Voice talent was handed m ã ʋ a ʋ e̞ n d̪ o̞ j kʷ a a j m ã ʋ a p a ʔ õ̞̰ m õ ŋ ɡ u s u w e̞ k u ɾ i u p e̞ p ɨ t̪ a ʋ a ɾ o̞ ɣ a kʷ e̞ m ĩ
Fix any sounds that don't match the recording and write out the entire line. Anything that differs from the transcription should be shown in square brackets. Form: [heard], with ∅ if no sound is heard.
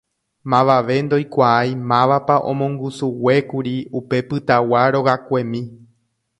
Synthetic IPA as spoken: m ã ʋ a ʋ e̞ n d̪ o̞ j kʷ a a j m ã ʋ a p a ʔ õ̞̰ m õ ŋ ɡ u s u w e̞ k u ɾ i u p e̞ p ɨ t̪ a [w] a ɾ o̞ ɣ a kʷ e̞ m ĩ